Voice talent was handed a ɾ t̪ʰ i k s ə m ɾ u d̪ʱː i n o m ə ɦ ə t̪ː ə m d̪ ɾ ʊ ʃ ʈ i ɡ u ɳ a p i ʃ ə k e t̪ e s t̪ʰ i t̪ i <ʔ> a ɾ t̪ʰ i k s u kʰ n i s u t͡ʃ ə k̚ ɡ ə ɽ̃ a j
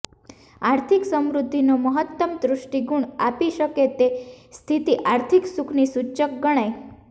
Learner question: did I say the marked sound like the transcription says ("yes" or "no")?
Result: yes